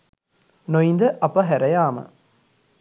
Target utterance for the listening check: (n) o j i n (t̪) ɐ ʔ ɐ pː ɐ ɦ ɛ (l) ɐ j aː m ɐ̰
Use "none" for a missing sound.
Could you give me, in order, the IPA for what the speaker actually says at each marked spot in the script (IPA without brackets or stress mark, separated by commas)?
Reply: n, d̪, ɾ